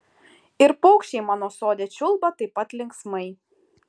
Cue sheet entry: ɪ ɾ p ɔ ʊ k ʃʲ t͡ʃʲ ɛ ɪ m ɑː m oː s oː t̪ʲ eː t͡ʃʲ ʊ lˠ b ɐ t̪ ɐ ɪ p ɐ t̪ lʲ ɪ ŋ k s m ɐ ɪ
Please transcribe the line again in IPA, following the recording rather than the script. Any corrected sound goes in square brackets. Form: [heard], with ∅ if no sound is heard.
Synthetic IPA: ɪ ɾ p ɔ ʊ k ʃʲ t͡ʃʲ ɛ ɪ m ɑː [n] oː s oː [d̪ʲ] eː t͡ʃʲ ʊ lˠ b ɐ t̪ ɐ ɪ p ɐ t̪ lʲ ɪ ŋ k s m ɐ ɪ